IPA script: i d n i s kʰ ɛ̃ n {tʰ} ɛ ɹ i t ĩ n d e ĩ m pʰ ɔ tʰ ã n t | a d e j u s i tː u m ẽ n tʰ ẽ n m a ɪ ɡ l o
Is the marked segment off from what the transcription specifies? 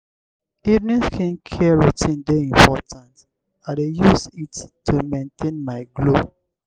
yes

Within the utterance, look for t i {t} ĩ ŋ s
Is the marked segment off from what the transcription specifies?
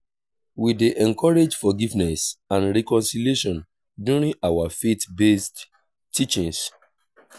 yes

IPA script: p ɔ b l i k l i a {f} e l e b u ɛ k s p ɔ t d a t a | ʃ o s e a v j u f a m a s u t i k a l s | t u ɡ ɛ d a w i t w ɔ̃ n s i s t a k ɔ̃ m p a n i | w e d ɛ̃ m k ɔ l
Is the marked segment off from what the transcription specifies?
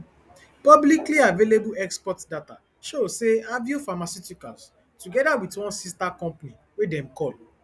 yes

